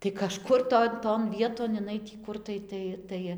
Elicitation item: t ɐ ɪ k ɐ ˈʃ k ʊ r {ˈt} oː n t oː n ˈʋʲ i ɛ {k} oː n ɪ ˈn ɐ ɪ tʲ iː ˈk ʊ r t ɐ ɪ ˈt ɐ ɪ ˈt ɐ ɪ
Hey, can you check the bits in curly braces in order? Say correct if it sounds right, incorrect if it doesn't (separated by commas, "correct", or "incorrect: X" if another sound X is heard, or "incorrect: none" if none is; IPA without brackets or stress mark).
correct, incorrect: t